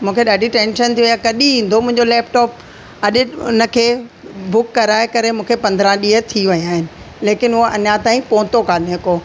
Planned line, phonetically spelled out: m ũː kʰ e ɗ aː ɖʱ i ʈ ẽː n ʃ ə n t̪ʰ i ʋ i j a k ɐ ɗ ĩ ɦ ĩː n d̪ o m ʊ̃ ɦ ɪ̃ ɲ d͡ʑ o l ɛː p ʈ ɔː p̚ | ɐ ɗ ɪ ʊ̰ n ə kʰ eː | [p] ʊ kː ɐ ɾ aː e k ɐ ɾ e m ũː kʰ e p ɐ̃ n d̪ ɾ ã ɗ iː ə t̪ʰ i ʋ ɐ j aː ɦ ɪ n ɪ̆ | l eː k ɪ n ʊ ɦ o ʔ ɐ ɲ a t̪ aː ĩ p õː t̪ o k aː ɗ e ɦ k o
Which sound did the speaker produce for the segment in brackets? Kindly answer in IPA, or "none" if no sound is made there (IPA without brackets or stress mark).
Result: b